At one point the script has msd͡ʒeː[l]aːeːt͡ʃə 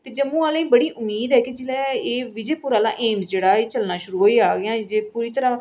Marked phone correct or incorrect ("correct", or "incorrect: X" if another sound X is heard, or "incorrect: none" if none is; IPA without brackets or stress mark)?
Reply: incorrect: ɽ